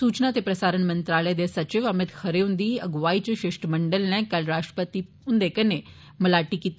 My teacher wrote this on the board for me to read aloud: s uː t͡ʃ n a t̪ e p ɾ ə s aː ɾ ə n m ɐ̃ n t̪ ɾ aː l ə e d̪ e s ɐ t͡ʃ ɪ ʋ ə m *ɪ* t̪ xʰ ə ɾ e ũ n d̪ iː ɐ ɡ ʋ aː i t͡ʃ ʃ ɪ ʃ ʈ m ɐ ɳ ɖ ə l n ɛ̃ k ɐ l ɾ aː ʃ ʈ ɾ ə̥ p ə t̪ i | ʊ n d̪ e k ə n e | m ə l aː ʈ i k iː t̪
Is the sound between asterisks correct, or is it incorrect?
correct